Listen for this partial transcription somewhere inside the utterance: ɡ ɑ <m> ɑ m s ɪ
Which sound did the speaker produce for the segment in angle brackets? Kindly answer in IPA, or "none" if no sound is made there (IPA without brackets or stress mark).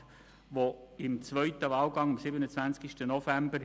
ŋ